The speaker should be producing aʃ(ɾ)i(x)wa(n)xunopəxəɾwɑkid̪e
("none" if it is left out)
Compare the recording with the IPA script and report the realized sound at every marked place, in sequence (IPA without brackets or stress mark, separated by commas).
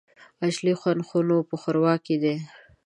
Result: l, x, n